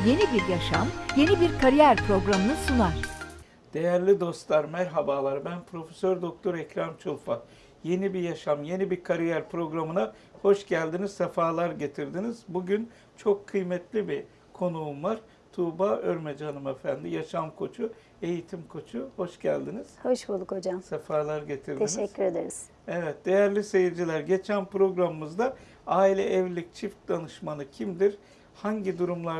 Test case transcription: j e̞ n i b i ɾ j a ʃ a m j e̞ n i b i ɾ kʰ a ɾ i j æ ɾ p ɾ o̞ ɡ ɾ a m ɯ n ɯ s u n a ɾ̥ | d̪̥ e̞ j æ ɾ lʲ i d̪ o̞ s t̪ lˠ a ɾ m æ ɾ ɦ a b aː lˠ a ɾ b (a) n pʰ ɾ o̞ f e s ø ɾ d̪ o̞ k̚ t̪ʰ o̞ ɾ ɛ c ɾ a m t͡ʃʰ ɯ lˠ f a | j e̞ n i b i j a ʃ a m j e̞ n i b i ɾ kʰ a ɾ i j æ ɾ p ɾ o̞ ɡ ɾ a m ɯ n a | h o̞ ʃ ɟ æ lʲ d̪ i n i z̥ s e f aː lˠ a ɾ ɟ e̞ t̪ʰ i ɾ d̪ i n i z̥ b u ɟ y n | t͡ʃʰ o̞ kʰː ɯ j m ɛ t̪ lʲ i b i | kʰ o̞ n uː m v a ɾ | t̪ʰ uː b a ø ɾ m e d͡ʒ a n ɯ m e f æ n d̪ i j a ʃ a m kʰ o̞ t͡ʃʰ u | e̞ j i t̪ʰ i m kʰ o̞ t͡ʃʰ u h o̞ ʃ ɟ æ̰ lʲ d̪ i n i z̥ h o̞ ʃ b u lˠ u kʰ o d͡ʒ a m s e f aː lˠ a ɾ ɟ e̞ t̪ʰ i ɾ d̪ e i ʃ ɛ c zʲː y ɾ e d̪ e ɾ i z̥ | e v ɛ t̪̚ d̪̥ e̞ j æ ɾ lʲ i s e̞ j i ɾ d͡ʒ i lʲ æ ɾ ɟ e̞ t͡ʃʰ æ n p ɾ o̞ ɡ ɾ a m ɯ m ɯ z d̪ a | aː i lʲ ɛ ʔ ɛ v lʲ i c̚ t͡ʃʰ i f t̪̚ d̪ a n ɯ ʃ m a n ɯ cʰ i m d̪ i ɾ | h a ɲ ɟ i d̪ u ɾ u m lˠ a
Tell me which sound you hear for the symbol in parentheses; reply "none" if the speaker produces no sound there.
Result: æ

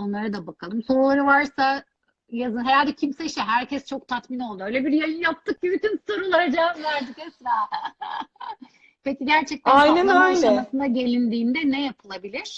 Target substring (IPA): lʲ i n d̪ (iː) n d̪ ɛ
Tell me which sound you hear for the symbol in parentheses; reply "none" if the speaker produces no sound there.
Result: iː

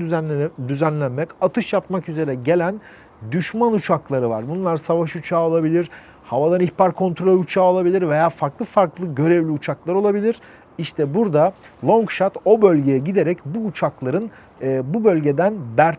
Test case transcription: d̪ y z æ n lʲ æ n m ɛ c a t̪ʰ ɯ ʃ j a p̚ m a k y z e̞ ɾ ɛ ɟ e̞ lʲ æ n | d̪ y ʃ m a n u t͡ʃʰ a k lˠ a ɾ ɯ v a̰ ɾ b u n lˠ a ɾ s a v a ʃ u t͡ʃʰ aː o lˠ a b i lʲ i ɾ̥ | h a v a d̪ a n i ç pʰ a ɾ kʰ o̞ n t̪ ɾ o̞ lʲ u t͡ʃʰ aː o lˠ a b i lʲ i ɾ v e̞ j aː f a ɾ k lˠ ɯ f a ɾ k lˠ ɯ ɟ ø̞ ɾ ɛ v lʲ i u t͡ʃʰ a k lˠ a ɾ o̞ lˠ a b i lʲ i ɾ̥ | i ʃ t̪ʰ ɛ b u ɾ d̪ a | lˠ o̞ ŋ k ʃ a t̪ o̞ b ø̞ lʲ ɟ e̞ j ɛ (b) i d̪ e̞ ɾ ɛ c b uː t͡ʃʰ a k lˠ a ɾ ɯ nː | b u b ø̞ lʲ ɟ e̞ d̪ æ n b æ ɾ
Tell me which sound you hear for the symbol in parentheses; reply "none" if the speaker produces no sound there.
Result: ɟ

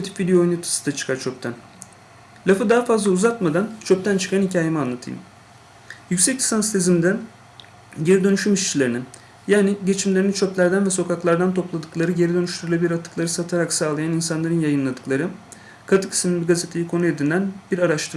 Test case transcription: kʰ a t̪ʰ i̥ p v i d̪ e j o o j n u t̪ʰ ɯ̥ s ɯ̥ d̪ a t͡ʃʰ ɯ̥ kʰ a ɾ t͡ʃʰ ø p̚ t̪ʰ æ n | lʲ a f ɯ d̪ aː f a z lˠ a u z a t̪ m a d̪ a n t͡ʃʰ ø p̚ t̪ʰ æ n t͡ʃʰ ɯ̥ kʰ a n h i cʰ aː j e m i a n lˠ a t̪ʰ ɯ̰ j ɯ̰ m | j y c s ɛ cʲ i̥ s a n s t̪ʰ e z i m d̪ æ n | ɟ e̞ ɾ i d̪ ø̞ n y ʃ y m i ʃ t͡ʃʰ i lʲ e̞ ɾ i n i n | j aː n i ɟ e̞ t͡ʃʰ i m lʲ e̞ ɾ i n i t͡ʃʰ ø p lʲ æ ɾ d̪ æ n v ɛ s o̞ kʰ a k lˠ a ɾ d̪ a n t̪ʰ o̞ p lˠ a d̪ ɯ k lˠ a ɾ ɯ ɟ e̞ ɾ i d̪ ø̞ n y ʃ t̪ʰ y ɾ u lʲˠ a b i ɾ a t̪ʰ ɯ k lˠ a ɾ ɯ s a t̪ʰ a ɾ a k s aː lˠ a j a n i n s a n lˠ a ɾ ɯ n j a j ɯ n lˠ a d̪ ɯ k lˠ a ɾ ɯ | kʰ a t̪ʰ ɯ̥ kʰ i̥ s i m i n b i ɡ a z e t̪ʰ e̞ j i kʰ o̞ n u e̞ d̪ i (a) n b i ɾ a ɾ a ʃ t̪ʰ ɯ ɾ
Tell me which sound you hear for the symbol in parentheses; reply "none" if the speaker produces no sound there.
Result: æ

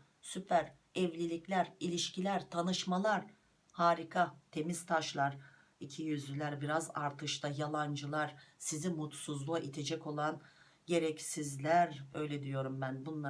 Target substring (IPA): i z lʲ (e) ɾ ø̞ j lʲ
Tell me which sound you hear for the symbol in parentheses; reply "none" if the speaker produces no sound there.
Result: æ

